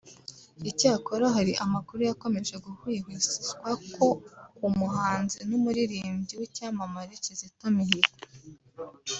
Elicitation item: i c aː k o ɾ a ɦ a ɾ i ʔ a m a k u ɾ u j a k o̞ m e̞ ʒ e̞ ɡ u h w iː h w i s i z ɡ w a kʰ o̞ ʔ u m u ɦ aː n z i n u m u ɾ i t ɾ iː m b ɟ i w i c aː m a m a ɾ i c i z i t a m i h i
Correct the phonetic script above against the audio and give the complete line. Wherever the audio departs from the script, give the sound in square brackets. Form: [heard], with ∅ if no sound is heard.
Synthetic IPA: i c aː k o ɾ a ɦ a ɾ i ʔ a m a k u ɾ u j a k o̞ m e̞ ʒ e̞ ɡ u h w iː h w i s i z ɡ w a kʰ o̞ [k] u m u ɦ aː n z i n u m u ɾ i [∅] ɾ iː m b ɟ i w i c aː m a m a ɾ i c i z i t a m i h i